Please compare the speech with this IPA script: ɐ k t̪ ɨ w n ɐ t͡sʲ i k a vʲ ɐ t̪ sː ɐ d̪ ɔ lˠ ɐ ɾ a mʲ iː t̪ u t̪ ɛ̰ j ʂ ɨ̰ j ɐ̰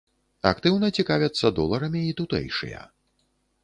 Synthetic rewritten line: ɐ k t̪ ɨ w n ɐ t͡sʲ i k a vʲ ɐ t̪ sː ɐ d̪ ɔ lˠ ɐ ɾ ɐ mʲ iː t̪ u t̪ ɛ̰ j ʂ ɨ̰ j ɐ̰